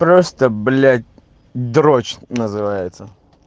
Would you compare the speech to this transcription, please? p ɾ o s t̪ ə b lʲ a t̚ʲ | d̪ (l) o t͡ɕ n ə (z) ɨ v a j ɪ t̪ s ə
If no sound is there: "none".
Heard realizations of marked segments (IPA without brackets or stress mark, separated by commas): ɾ, z